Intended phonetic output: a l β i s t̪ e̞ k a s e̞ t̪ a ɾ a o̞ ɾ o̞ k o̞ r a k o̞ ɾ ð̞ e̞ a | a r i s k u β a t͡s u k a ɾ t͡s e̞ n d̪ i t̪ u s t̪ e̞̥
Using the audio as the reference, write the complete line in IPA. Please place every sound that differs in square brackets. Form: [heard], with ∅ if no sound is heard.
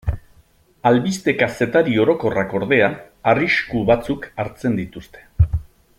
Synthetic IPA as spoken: a l β i s t̪ e̞ k a s e̞ t̪ a ɾ [i] o̞ ɾ o̞ k o̞ r a k o̞ ɾ ð̞ e̞ a | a r i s k u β a t͡s u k a ɾ t͡s e̞ n d̪ i t̪ u s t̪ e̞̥